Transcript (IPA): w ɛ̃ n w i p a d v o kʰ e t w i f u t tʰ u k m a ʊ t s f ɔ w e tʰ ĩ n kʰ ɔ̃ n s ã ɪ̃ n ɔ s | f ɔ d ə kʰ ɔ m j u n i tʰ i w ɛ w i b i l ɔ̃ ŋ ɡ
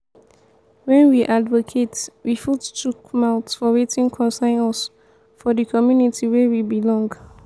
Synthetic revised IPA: w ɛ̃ n w i ʔ a d v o kʰ e t w i f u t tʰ u k m a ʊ t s f ɔ w e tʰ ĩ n kʰ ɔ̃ n s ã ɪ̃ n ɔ s | f ɔ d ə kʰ ɔ m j u n i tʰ i w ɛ w i b i l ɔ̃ ŋ ɡ

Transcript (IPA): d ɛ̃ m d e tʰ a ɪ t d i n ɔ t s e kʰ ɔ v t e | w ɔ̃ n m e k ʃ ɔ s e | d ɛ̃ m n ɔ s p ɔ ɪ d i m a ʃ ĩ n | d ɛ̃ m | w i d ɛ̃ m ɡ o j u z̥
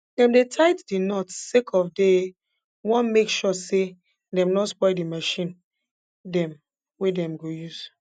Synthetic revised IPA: d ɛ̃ m d e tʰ a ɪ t d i n ɔ t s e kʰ ɔ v d e | w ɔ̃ n m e k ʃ ɔ s e | d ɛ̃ m n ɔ s p ɔ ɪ d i m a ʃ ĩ n | d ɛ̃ m | w e d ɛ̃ m ɡ o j u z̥

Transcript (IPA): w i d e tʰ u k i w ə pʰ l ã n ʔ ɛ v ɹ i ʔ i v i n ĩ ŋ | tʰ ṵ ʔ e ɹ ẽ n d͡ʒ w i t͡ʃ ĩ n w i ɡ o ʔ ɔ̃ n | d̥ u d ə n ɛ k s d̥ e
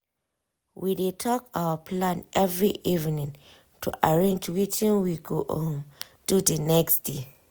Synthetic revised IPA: w i d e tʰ ɔ k a w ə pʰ l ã n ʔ ɛ v ɹ i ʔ i v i n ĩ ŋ | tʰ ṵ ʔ a ɹ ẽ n d͡ʒ w i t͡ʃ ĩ n w i ɡ o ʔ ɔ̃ n | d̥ u d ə n ɛ k s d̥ e

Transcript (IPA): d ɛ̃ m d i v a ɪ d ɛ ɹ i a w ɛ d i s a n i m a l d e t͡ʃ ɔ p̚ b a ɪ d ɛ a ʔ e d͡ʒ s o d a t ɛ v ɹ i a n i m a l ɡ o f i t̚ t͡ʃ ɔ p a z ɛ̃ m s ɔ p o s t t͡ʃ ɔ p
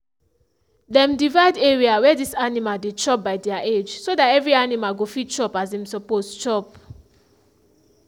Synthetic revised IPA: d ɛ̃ m d i v a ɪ d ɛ ɹ i a w ɛ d i s a n i m a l d e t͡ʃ ɔ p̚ b a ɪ d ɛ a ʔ e d͡ʒ s o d a t ɛ v ɹ i a n i m a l ɡ o f i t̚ t͡ʃ ɔ p a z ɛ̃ m s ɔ p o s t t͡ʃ ɔ p

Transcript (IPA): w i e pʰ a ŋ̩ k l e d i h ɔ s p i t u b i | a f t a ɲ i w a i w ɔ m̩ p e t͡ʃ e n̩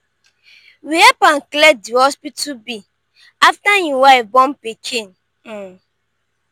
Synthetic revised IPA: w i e p a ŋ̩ k l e d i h ɔ s p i t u b i | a f t a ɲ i w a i b ɔ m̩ p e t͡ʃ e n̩

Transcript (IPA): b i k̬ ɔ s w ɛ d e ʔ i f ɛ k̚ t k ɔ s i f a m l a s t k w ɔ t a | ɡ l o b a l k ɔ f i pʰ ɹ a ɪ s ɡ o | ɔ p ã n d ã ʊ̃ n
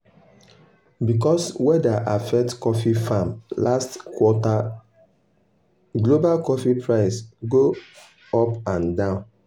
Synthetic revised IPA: b i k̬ ɔ s w ɛ d a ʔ a f ɛ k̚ t k ɔ f i f a m l a s t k w ɔ t a | ɡ l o b a l k ɔ f i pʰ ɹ a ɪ s ɡ o | ɔ p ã n d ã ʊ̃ n

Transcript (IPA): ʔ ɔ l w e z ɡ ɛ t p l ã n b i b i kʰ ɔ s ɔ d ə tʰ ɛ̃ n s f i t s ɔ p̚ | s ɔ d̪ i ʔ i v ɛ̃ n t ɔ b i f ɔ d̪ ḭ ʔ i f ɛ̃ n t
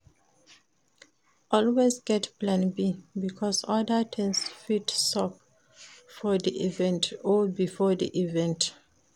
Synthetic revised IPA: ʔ ɔ l w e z ɡ ɛ t p l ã n b i b i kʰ ɔ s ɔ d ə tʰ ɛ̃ n s f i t s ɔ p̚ | f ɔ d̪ i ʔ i v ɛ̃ n t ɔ b i f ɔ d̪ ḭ ʔ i v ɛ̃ n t

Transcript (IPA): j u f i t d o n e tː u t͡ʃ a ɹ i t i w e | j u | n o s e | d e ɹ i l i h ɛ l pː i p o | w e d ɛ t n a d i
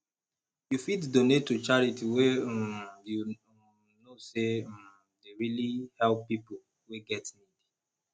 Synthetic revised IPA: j u f i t d o n e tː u t͡ʃ a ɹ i t i w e | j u | n o s e | d e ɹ i l i h ɛ l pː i p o | w e ɡ ɛ t n i d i

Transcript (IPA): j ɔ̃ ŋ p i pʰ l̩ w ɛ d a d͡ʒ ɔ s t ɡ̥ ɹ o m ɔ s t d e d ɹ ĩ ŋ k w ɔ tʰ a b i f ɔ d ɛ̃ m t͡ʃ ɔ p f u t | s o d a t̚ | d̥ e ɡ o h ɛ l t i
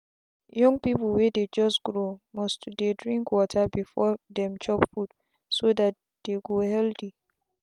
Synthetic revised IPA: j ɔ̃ ŋ p i p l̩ w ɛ d e d͡ʒ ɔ s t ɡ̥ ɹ o m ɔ s t d e d ɹ ĩ ŋ k w ɔ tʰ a b i f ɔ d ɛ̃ m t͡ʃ ɔ p f u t | s o d a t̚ | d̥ e ɡ o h ɛ l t i

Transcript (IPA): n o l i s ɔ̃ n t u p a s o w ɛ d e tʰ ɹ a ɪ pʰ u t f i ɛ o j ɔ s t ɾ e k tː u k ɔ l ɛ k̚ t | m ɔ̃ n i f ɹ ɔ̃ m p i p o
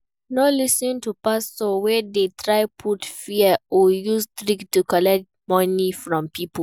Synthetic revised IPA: n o l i s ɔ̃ n t u p a s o w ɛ d e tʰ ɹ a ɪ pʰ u t f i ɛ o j u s t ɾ i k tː u k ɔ l ɛ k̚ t | m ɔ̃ n i f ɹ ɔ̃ m p i p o

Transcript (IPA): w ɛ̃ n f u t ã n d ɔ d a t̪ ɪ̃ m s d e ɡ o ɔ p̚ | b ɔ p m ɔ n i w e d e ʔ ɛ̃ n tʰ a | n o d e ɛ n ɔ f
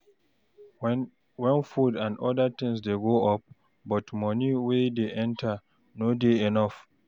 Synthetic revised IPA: w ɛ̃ n f u d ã n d ɔ d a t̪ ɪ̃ ŋ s d e ɡ o ɔ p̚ | b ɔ t m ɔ n i w e d e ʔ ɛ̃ n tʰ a | n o d e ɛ n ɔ f

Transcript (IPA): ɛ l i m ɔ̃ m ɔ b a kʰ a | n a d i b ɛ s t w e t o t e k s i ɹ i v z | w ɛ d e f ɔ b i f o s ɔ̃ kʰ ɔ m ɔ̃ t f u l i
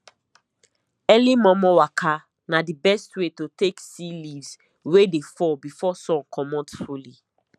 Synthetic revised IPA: ɛ l i m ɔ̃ m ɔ w a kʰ a | n a d i b ɛ s t w e t o t e k s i l i v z | w e d e f ɔ b i f ɔ s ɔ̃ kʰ ɔ m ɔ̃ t f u l i

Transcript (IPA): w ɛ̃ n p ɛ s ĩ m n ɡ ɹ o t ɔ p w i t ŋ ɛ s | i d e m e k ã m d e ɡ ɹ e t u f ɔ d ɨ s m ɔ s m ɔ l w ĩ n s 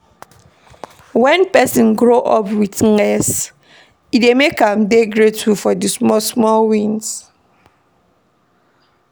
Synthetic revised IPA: w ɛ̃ n p ɛ s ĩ n ɡ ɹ o ʔ ɔ p w i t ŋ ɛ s | i d e m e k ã m d e ɡ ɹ e t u f ɔ d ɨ s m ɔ s m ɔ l w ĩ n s

